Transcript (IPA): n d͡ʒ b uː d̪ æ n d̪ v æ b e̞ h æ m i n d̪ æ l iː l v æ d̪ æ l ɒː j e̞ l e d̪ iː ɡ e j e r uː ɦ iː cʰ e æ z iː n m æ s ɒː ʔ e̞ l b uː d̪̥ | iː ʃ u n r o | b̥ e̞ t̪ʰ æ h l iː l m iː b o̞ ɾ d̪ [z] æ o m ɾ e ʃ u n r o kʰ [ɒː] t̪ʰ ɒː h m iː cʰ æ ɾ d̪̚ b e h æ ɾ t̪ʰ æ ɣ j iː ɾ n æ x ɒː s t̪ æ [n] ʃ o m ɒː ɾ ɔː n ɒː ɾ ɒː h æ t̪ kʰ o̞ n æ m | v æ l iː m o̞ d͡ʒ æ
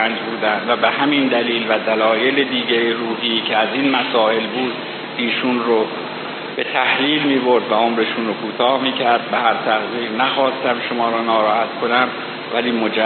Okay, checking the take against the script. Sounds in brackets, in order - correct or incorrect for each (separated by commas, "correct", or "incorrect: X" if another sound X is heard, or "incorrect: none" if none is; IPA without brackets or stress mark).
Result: incorrect: v, incorrect: uː, incorrect: m